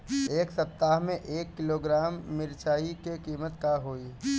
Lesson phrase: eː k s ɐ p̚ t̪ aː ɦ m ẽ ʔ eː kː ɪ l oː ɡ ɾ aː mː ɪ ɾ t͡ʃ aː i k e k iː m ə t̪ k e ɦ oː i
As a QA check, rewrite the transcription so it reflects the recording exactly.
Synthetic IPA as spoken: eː k s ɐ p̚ t̪ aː ɦ m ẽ ʔ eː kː ɪ l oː ɡ ɾ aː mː ɪ ɾ t͡ʃ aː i k e k iː m ə t̪ k a ɦ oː i